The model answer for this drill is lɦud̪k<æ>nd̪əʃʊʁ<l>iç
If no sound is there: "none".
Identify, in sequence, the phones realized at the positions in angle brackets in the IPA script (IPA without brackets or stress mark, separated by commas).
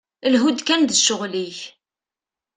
æ, l